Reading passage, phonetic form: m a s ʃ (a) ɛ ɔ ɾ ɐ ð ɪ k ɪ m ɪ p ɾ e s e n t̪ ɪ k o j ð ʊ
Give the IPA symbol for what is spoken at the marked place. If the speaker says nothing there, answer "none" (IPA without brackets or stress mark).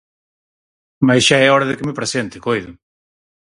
a